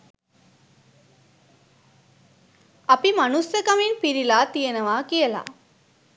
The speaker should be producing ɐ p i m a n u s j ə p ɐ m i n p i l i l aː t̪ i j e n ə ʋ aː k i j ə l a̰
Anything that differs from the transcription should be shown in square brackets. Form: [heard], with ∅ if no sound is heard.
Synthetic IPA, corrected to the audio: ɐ p i m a n u s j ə [k] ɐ m i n p i [ɾ] i l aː t̪ i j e n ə ʋ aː k i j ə l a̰